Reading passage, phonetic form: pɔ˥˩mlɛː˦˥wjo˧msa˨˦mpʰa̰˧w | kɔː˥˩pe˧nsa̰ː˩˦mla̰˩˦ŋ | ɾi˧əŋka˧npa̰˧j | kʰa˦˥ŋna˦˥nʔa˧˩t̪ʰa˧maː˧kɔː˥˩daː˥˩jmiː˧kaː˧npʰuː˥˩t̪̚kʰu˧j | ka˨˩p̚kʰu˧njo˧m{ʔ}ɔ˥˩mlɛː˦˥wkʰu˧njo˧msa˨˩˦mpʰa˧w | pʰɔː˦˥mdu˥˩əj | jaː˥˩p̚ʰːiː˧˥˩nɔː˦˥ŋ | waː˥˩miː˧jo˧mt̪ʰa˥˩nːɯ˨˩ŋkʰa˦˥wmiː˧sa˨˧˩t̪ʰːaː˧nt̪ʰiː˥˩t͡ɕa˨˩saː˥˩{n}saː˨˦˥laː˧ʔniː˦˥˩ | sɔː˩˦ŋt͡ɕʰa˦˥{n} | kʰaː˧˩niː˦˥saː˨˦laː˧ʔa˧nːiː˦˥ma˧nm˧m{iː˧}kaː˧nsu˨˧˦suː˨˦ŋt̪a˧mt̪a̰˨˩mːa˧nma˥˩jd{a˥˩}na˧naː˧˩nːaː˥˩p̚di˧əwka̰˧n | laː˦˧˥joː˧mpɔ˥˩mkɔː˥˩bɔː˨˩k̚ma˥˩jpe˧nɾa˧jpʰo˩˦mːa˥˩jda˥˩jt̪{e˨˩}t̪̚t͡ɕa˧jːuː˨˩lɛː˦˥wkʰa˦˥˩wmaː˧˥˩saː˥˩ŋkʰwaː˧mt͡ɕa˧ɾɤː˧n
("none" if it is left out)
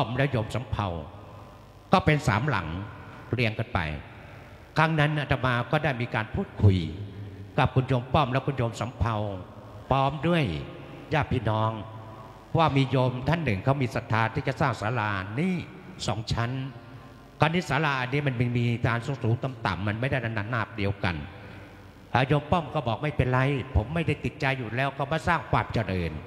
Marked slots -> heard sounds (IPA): p, ŋ, n, iː˧, a˥˩, i˨˩

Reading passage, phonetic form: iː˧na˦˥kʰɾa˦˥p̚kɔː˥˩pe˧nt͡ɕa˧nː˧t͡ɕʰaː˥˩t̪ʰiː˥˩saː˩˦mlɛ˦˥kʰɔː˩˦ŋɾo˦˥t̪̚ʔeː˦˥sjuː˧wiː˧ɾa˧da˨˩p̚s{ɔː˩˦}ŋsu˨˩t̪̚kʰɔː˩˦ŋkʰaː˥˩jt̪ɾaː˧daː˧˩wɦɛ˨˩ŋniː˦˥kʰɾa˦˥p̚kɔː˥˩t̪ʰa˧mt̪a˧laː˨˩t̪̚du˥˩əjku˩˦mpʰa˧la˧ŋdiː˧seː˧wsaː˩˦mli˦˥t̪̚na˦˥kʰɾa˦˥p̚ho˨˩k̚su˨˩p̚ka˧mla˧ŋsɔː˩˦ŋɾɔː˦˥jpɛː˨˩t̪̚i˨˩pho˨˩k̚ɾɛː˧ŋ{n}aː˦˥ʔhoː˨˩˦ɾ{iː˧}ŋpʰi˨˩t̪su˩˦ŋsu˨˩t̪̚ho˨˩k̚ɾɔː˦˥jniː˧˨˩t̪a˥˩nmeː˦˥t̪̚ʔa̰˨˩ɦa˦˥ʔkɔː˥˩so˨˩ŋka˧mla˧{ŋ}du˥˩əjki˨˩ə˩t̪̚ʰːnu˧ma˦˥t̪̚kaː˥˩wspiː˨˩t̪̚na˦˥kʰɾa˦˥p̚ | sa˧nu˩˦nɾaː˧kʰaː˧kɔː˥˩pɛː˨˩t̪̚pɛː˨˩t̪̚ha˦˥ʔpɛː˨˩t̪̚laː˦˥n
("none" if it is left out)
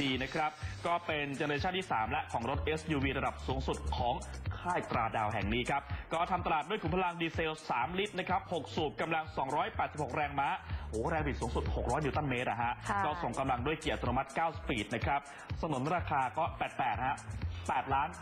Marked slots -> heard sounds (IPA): uː˩˦, m, ɛː˧, ŋ

